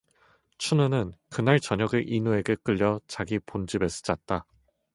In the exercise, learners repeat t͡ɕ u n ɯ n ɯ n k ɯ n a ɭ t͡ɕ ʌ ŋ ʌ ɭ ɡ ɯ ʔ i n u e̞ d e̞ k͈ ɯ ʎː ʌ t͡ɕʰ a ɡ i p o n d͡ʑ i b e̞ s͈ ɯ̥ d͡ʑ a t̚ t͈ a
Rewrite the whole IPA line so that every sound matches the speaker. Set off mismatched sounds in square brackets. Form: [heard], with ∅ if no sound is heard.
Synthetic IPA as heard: [t͡ɕʰ] u n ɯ n ɯ n k ɯ n a ɭ t͡ɕ ʌ [ɲ] ʌ [∅] ɡ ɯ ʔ i n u e̞ [ɡ] e̞ k͈ ɯ ʎː ʌ [t͡ɕ] a ɡ i p o n d͡ʑ i b e̞ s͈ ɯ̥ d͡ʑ a t̚ t͈ a